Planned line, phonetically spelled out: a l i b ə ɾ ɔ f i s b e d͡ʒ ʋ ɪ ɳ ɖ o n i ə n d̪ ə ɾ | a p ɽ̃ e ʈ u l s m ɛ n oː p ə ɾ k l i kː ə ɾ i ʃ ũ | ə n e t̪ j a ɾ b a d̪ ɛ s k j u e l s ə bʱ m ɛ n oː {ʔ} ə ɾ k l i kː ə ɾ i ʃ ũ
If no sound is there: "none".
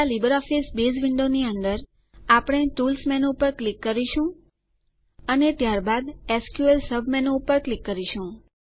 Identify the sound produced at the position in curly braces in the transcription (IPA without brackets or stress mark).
p